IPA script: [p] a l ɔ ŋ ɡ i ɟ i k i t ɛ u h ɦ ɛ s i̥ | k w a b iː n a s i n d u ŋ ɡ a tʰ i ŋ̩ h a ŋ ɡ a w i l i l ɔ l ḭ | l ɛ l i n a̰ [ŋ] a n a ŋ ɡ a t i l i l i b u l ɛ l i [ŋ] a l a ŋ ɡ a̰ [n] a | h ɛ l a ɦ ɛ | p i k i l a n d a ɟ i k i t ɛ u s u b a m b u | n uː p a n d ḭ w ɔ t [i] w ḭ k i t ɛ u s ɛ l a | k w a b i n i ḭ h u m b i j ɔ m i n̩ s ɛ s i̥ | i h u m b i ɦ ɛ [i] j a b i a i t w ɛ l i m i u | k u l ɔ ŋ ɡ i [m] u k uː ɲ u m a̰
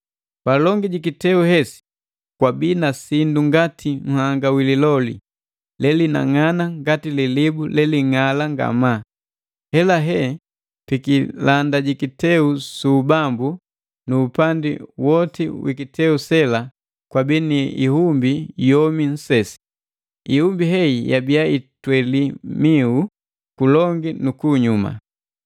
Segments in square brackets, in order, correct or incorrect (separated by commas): correct, correct, correct, incorrect, correct, correct, incorrect